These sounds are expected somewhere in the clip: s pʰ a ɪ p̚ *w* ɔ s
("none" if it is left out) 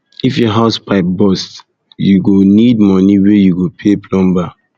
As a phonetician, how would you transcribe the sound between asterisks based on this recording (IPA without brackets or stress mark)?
b